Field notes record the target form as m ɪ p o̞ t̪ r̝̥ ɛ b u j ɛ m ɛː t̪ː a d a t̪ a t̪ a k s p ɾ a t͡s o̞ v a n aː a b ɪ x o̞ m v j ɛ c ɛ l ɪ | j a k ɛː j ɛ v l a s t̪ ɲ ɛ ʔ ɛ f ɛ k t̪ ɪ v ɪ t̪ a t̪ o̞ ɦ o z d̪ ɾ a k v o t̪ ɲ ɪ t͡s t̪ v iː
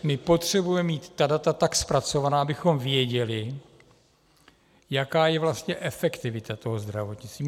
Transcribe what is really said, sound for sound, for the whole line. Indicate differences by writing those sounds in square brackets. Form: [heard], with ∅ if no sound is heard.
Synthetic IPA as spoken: m ɪ p o̞ t̪ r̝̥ ɛ b u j ɛ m [iː] t̪ː a d a t̪ a t̪ a k s p ɾ a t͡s o̞ v a n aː a b ɪ x o̞ m v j ɛ [ɟ] ɛ l ɪ | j a k [aː] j ɛ v l a s t̪ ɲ ɛ ʔ ɛ f ɛ k t̪ ɪ v ɪ t̪ a t̪ o̞ ɦ o z d̪ ɾ a [∅] v o t̪ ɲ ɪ t͡s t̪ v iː